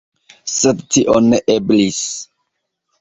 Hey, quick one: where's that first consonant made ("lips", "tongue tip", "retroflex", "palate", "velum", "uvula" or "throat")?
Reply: tongue tip